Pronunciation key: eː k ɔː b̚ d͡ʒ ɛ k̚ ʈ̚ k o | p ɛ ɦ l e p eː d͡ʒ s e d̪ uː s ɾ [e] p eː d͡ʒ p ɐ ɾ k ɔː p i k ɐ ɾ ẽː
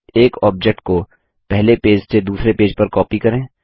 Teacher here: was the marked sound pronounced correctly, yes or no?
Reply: yes